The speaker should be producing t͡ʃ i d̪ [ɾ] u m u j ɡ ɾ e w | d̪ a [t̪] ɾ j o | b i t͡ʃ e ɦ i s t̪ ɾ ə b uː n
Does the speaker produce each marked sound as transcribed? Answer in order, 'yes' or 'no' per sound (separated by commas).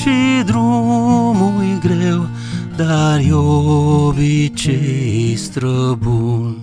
yes, no